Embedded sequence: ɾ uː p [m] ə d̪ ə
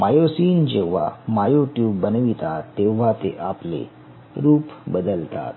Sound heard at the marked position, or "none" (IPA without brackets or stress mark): b